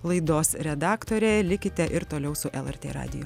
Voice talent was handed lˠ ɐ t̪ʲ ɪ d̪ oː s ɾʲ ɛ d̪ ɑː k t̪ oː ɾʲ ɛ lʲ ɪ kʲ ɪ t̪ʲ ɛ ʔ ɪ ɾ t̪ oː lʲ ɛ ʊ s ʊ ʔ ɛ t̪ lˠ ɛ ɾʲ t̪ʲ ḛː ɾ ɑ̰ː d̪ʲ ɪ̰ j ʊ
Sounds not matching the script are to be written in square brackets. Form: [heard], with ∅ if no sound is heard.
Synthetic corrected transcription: lˠ ɐ [∅] ɪ d̪ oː s ɾʲ ɛ d̪ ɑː k t̪ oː ɾʲ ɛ lʲ ɪ kʲ ɪ t̪ʲ ɛ ʔ ɪ ɾ t̪ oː lʲ ɛ ʊ s ʊ ʔ ɛ [∅] lˠ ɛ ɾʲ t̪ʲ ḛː ɾ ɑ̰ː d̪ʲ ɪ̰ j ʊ